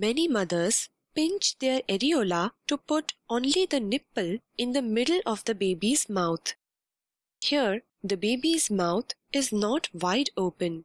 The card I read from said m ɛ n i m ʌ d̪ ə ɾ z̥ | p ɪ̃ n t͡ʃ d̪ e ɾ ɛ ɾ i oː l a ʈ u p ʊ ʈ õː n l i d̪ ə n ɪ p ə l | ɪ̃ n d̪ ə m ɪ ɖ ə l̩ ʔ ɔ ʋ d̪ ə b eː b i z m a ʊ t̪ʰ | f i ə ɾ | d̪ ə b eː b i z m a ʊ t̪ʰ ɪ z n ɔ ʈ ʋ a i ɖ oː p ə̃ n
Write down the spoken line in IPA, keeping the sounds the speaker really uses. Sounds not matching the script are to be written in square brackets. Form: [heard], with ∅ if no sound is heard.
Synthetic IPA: m ɛ n i m ʌ d̪ ə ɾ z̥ | p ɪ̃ n t͡ʃ d̪ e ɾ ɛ ɾ i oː l a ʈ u p ʊ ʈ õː n l i d̪ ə n ɪ p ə l | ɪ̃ n d̪ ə m ɪ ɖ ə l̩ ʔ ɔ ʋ d̪ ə b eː b i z m a ʊ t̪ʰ | [h] i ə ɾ | d̪ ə b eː b i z m a ʊ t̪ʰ ɪ z n ɔ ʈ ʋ a [ɪ] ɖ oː p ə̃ n